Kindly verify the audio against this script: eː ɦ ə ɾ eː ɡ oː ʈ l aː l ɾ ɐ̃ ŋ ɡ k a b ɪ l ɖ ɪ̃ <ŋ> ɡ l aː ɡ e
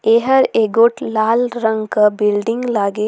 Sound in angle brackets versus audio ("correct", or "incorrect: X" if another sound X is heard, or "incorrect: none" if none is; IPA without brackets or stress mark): correct